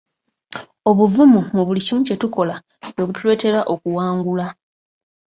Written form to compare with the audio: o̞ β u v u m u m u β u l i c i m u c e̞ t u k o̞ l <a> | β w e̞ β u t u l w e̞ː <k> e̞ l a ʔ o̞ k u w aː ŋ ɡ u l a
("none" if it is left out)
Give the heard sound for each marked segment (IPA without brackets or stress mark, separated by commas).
a, t